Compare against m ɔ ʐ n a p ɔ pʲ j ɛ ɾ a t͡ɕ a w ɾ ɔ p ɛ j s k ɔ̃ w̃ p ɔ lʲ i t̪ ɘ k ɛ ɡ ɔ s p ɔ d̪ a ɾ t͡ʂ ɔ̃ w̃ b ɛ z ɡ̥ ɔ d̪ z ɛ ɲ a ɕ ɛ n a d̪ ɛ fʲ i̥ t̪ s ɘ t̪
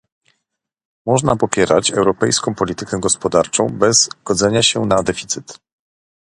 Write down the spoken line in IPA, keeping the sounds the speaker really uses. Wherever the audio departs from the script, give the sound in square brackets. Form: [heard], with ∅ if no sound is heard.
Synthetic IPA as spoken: m ɔ ʐ n a p ɔ pʲ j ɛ ɾ a t͡ɕ [ɛ] w ɾ ɔ p ɛ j s k ɔ̃ w̃ p ɔ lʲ i t̪ ɘ k ɛ ɡ ɔ s p ɔ d̪ a ɾ t͡ʂ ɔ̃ w̃ b ɛ z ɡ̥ ɔ d̪ z ɛ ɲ a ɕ ɛ n a d̪ ɛ fʲ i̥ t̪ s ɘ t̪